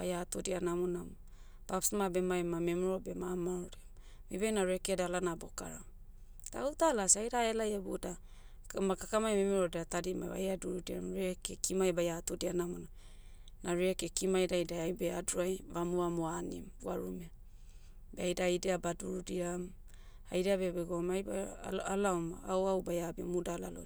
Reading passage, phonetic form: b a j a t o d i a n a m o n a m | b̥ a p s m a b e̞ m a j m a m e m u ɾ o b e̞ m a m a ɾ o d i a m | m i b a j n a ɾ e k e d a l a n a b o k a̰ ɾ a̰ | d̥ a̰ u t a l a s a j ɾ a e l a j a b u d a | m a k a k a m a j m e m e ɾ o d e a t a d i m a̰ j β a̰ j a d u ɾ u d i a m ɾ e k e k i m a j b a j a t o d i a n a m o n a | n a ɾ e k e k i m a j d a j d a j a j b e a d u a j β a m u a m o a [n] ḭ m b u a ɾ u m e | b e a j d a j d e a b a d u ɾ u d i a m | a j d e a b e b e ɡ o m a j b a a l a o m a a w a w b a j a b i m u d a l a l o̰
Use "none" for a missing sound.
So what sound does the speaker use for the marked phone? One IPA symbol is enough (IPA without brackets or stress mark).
n